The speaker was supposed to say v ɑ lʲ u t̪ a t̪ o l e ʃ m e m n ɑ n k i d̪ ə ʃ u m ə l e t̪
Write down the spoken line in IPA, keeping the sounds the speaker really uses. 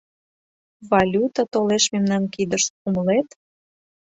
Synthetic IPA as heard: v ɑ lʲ u t̪ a t̪ o l e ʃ m e m n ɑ n k i d̪ ə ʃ u m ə l e t̪